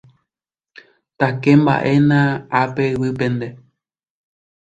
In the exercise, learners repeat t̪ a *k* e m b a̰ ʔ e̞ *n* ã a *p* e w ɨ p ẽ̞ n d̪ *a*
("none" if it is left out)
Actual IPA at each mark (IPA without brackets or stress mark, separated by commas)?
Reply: k, n, p, e